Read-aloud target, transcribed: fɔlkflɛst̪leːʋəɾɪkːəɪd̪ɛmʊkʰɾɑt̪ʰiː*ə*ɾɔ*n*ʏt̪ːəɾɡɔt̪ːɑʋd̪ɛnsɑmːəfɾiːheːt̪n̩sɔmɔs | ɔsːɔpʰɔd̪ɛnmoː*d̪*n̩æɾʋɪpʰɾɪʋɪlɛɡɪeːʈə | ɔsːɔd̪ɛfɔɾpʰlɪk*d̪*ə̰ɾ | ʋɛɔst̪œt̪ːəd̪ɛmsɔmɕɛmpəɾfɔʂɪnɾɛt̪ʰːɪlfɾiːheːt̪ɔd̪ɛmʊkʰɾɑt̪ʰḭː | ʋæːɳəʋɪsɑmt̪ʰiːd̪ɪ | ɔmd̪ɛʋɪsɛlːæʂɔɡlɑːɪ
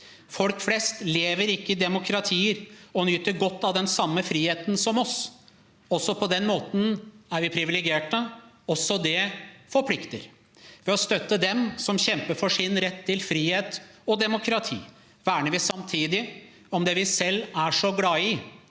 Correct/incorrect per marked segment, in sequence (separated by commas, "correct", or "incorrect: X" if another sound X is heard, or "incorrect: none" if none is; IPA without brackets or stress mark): correct, correct, incorrect: t̪, incorrect: t̪